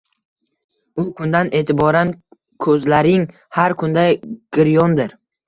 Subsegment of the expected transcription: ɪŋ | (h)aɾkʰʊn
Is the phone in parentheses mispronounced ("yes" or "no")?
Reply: no